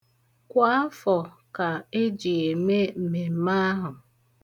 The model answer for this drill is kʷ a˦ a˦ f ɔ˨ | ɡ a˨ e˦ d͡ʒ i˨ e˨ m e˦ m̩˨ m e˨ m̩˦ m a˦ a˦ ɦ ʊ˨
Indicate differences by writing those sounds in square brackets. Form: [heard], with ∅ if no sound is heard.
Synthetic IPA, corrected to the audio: kʷ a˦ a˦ f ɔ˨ | [k] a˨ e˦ d͡ʒ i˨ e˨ m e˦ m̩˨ m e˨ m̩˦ m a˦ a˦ ɦ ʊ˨